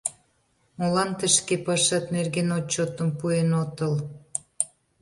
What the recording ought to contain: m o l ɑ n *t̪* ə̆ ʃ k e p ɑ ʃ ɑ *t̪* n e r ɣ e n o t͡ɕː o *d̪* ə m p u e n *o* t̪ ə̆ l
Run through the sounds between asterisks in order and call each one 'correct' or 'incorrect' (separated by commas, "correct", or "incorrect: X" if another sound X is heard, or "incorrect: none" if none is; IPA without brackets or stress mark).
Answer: correct, correct, incorrect: t̪, correct